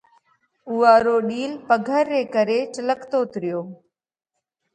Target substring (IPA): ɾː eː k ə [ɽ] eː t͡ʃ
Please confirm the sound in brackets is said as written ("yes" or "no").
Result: no